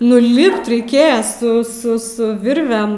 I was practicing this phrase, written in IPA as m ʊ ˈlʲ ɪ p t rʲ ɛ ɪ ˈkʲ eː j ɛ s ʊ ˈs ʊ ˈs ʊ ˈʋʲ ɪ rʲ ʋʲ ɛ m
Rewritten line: n ʊ ˈlʲ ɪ p t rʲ ɛ ɪ ˈkʲ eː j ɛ s ʊ ˈs ʊ ˈs ʊ ˈʋʲ ɪ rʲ ʋʲ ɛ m